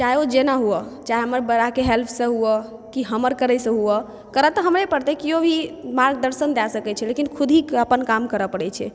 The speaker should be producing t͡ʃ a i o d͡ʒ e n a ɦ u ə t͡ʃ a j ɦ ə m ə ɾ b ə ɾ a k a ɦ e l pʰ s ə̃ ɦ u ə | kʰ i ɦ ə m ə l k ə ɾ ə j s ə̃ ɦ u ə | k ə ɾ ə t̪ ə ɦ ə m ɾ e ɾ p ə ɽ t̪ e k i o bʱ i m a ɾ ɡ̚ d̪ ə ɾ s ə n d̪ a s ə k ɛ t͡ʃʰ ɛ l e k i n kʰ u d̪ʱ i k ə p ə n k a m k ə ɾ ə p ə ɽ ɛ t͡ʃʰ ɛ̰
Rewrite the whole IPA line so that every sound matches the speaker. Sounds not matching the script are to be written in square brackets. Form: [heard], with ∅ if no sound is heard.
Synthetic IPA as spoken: t͡ʃ a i o d͡ʒ e n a ɦ u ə t͡ʃ a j ɦ ə m ə ɾ b ə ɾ a k [e] ɦ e l pʰ s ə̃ ɦ u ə | [k] i ɦ ə m ə [ɾ] k ə ɾ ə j s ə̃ ɦ u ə | k ə ɾ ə t̪ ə ɦ ə m ɾ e [∅] p ə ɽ t̪ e k i o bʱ i m a ɾ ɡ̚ d̪ ə ɾ s ə n d̪ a s ə k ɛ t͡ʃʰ ɛ l e k i n kʰ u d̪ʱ i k ə p ə n k a m k ə ɾ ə p ə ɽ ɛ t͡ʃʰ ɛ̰